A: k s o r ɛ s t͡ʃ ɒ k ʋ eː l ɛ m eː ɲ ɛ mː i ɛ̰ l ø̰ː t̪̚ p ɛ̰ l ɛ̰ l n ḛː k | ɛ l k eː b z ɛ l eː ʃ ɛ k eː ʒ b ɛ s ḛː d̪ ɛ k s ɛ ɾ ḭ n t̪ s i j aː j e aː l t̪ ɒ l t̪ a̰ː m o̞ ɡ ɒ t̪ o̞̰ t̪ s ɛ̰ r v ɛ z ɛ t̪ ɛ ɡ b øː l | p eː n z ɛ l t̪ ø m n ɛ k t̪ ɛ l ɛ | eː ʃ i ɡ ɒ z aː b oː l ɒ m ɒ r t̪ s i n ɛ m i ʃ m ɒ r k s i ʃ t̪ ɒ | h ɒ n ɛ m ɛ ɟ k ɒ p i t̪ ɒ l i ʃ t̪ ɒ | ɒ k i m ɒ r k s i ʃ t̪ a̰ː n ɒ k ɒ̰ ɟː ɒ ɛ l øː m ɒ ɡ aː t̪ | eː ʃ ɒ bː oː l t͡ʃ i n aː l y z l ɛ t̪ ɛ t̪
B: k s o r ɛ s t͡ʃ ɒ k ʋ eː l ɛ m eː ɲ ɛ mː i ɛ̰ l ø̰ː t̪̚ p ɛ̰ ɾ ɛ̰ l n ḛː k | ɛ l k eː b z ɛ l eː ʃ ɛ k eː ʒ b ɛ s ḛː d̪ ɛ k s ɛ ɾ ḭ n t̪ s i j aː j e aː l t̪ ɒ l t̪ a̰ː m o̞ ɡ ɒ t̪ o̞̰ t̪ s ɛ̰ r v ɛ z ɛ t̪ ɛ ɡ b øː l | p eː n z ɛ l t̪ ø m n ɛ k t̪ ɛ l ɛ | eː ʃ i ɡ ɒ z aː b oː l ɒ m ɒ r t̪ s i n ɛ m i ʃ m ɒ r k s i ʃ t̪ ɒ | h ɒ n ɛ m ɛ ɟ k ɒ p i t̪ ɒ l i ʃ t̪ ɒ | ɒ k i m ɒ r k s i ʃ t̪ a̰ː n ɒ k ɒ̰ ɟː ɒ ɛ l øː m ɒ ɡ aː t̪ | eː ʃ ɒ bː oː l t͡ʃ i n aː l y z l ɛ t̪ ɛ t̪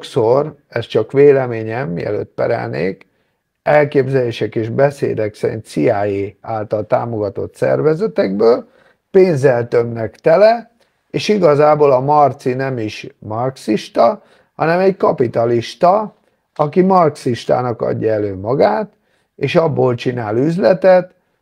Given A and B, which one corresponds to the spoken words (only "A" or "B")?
B